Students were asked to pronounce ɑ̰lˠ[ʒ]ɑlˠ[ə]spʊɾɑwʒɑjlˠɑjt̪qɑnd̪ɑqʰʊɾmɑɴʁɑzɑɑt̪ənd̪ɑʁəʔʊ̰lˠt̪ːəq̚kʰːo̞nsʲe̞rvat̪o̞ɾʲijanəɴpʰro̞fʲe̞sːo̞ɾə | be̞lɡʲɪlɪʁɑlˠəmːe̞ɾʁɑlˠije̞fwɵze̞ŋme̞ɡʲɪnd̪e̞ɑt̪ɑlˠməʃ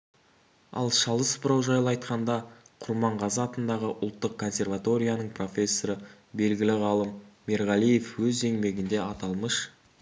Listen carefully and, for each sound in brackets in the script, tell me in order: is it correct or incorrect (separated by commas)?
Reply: incorrect, correct